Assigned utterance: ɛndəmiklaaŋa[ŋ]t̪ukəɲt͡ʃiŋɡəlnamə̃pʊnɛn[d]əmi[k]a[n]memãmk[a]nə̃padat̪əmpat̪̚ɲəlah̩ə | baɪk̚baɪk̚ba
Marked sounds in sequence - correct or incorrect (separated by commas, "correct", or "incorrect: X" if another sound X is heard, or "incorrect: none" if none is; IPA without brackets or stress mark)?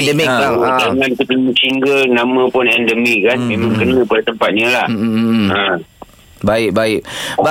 incorrect: n, correct, correct, correct, incorrect: ə